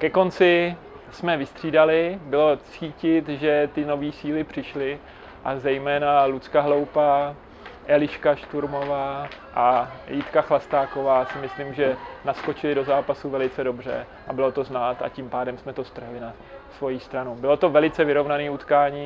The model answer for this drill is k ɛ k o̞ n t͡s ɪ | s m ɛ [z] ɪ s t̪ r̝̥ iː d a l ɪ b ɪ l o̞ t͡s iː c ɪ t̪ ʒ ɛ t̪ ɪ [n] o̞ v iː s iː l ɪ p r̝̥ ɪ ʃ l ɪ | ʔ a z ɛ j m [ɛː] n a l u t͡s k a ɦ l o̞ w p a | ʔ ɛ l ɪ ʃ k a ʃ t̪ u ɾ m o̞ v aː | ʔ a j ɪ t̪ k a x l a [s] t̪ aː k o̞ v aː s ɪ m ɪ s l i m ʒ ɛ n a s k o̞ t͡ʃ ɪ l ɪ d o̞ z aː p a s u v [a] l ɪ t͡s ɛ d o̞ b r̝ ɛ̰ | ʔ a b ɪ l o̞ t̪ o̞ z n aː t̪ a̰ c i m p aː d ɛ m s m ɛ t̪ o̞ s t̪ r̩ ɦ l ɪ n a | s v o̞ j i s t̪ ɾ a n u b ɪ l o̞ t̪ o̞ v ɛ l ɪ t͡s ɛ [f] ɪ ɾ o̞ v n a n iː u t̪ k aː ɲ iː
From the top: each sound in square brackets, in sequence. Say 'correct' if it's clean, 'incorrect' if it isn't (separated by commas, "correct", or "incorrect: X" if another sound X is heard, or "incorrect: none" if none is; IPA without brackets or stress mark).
incorrect: v, correct, correct, correct, incorrect: ɛ, incorrect: v